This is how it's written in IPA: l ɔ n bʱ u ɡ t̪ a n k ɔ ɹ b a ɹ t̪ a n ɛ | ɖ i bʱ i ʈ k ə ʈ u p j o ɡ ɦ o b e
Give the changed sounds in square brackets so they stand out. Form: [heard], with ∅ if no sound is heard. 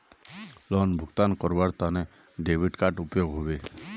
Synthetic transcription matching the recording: l ɔ n bʱ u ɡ t̪ a n k ɔ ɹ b a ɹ t̪ a n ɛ | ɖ [e] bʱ i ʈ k [a] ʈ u p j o ɡ ɦ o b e